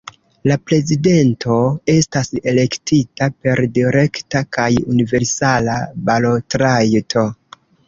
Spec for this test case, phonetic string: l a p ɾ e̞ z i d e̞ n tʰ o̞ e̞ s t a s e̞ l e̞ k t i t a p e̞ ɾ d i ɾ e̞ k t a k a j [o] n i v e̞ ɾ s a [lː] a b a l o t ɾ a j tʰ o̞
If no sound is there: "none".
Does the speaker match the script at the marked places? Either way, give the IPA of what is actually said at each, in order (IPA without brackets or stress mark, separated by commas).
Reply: u, l